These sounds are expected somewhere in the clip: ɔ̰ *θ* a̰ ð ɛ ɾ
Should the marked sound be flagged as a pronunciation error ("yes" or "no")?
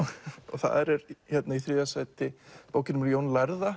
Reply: no